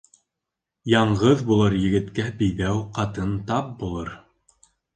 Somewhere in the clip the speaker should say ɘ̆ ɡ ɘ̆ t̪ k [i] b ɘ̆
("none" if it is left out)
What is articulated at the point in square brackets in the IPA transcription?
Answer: æ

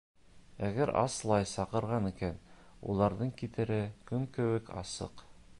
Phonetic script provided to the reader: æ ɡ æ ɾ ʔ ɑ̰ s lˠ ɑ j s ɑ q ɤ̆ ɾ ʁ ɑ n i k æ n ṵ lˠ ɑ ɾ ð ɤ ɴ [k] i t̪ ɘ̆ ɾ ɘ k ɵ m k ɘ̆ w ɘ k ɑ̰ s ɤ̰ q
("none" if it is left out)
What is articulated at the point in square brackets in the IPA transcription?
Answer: k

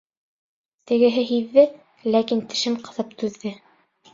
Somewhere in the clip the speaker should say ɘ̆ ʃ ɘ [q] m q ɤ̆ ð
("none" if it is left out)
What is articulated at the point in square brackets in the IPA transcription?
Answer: none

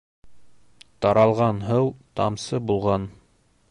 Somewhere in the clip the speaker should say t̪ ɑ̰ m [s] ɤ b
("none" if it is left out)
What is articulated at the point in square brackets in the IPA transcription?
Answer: s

